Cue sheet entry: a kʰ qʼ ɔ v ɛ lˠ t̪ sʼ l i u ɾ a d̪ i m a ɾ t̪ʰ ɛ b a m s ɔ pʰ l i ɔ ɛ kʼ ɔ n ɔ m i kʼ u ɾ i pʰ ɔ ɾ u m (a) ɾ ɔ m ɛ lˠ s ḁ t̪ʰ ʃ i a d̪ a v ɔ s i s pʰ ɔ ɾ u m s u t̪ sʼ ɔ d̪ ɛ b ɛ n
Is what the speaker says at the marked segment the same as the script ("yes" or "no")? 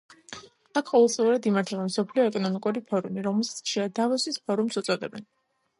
no